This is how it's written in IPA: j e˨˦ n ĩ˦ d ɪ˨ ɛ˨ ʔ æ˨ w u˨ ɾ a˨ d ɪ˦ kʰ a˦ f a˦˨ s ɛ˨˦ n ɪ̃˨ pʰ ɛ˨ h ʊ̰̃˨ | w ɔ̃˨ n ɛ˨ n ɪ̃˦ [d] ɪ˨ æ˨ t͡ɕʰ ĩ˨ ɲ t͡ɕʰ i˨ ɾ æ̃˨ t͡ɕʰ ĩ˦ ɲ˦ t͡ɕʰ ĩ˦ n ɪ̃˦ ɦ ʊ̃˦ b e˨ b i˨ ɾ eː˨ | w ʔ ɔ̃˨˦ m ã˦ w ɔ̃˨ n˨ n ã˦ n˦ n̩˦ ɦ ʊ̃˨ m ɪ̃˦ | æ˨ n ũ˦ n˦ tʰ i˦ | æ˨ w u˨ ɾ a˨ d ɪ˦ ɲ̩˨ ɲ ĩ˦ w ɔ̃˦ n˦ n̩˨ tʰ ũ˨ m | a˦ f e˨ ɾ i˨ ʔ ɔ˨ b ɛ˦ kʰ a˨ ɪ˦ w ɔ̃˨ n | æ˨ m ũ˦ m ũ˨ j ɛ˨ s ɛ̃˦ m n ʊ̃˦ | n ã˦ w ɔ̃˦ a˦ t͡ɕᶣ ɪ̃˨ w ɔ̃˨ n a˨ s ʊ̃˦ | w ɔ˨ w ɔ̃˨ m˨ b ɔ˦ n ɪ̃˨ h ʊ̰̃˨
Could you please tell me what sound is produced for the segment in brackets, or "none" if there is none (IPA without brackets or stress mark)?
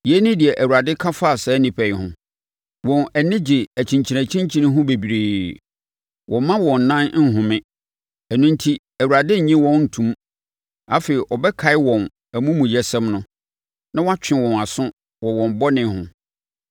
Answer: d͡ʑ